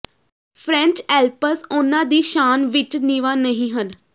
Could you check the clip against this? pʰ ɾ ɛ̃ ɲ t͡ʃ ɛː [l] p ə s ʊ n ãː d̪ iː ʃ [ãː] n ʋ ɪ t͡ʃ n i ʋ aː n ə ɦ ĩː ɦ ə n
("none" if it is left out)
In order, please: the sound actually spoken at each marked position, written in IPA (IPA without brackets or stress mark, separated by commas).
l, aː